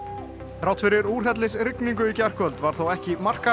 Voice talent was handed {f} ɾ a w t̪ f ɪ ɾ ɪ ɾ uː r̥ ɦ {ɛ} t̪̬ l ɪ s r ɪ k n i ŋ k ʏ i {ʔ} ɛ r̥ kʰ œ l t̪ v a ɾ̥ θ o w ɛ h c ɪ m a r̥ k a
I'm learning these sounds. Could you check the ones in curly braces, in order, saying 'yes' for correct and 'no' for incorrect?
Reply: no, yes, no

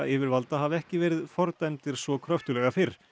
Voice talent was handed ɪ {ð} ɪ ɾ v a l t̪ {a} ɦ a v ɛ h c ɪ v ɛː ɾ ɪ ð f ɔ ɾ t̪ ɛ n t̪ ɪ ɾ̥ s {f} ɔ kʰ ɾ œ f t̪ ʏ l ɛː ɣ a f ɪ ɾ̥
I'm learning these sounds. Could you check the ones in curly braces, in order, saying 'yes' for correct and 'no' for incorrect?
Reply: no, yes, no

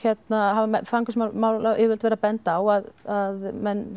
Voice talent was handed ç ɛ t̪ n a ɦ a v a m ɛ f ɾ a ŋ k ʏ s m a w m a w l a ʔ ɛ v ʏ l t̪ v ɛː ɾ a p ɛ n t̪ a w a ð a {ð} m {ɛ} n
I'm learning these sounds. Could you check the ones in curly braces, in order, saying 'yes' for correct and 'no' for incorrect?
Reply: yes, yes

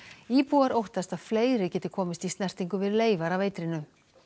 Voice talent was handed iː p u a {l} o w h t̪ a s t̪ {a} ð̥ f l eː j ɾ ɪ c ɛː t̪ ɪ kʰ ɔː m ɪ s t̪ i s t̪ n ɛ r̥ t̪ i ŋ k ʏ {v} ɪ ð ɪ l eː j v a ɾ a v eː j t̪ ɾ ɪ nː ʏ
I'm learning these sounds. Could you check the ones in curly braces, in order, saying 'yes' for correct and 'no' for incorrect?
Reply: no, yes, yes

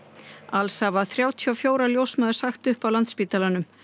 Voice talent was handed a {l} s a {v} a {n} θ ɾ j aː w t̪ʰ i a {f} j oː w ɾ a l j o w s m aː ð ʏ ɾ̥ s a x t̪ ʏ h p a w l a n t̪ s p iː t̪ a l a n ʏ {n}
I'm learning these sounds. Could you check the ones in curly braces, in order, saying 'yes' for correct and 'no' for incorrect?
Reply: yes, yes, no, yes, no

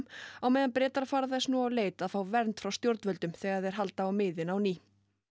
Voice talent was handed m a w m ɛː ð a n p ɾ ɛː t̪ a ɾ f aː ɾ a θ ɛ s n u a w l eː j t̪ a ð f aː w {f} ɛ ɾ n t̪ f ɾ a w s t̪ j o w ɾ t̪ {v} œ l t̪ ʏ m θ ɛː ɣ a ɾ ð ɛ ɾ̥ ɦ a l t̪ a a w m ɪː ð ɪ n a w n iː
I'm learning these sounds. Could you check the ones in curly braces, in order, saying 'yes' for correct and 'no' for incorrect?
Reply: no, yes

